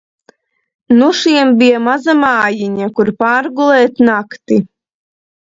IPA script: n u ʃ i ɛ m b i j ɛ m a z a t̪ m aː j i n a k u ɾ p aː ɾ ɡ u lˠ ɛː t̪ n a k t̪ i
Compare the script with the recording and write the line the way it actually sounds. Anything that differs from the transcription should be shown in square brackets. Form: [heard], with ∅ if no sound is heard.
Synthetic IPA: n u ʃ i ɛ m b i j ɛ m a z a [∅] m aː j i [ɲ] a k u ɾ p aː ɾ ɡ u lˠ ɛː t̪ n a k t̪ i